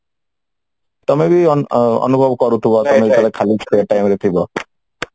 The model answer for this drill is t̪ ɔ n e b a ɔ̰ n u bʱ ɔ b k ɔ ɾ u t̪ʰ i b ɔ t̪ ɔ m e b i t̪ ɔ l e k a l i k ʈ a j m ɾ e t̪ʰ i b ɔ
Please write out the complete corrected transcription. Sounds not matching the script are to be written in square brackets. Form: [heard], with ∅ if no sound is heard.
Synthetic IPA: t̪ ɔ [m] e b [i] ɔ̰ n u bʱ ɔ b k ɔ ɾ u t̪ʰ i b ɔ t̪ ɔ m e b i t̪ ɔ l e [kʰ] a l i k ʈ a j m ɾ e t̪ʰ i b ɔ